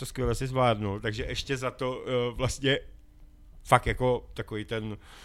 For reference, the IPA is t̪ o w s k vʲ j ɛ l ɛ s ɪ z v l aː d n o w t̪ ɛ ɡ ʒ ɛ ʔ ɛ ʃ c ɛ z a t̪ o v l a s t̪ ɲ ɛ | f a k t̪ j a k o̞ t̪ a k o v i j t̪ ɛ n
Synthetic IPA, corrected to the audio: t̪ o s k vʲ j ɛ l ɛ s ɪ z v l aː d n o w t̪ a ɡ ʒ ɛ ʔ ɛ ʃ c ɛ z a t̪ o v l a s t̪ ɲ ɛ | f a k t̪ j a k o̞ t̪ a k o v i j t̪ ɛ n